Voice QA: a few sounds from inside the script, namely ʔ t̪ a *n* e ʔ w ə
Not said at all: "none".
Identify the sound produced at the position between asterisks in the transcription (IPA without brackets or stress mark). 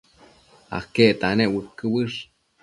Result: n